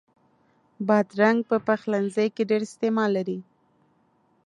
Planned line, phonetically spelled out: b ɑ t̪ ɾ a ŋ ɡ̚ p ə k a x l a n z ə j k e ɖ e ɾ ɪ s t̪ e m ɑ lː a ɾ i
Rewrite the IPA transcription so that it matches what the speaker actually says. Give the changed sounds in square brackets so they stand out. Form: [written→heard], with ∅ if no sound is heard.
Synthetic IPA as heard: b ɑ [t̪→d̪] ɾ a ŋ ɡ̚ p ə [k→p] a x l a n z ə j k e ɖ e ɾ ɪ s t̪ e m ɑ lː a ɾ i